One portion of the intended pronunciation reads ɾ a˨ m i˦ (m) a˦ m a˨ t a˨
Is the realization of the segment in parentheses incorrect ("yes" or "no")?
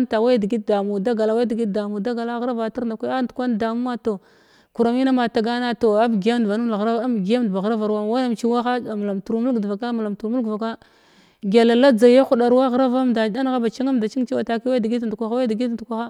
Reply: yes